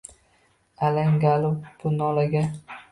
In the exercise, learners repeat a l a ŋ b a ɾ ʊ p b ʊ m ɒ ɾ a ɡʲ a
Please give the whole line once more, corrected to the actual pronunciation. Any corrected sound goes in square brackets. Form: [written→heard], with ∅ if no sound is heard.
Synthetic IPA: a l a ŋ [b→ɡ] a [ɾ→l] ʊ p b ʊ [m→n] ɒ [ɾ→l] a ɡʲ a